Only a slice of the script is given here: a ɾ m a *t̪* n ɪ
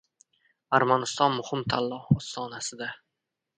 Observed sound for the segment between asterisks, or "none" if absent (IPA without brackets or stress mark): none